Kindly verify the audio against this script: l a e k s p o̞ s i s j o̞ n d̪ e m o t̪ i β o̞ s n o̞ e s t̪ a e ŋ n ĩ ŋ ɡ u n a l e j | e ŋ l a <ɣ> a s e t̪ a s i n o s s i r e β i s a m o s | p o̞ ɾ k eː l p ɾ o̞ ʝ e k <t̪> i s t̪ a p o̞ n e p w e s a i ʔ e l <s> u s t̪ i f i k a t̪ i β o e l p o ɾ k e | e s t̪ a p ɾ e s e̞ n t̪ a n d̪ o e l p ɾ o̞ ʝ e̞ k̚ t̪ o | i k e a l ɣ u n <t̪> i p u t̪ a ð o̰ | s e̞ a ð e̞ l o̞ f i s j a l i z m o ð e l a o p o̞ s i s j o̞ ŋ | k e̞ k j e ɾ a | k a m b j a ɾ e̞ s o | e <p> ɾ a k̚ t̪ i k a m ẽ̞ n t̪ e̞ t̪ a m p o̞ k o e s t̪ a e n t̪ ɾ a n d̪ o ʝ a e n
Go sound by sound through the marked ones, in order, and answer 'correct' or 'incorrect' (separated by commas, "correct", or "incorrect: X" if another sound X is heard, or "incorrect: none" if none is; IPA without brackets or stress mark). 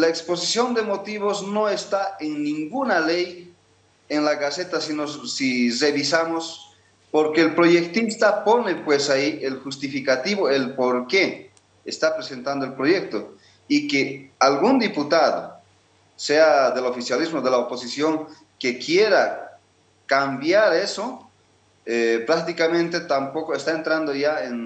correct, correct, incorrect: x, incorrect: d̪, correct